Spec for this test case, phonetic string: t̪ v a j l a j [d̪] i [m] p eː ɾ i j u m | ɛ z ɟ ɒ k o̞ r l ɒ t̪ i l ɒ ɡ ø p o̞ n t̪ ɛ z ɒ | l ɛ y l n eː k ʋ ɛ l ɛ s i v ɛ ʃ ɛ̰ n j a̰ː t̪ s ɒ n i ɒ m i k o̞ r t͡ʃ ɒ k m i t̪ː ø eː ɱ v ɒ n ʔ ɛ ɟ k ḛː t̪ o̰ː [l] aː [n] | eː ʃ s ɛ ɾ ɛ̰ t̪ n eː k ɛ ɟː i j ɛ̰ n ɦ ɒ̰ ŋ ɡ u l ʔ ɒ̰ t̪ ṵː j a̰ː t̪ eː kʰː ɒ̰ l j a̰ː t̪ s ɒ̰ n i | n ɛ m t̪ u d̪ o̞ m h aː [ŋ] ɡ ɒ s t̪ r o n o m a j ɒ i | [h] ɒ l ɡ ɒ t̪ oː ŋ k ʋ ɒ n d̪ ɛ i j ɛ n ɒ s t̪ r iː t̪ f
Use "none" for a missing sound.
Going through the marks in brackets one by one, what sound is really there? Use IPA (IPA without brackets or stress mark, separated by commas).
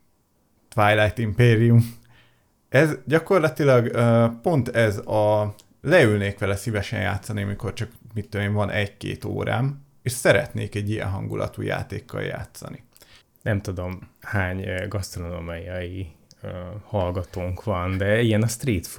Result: t̪, m, ɾ, m, ɲ, h